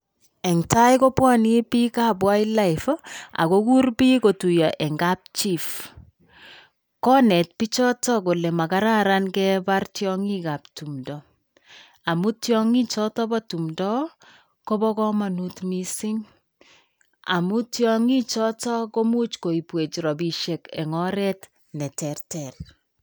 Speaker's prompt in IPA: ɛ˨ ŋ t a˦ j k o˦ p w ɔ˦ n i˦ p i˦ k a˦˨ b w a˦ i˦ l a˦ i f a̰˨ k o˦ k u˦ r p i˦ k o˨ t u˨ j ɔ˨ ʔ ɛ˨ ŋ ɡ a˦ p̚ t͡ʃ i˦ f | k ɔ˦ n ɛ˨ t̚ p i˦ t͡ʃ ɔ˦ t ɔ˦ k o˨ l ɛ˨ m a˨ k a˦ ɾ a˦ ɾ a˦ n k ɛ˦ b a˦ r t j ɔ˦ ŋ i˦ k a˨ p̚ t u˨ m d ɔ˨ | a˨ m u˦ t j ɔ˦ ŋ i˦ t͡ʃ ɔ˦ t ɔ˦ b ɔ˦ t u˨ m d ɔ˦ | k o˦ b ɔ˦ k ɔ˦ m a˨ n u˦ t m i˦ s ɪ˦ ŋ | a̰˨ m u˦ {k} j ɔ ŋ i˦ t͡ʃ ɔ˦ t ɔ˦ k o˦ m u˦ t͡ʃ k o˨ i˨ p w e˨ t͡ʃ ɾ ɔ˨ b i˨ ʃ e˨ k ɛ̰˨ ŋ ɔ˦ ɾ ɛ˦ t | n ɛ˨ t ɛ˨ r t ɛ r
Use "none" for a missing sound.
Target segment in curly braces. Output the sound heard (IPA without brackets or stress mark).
t